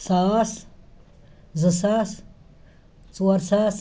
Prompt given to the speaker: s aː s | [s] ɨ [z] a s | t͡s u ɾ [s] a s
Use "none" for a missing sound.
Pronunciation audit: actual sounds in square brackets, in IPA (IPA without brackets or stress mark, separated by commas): z, s, s